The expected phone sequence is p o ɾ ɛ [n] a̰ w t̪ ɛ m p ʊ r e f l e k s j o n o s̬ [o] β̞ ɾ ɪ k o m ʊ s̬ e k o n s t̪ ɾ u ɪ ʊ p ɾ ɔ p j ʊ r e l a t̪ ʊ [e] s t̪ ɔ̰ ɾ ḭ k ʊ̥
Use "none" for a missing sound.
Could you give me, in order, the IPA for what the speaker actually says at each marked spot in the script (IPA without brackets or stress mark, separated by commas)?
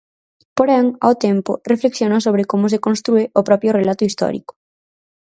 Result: ŋ, o, i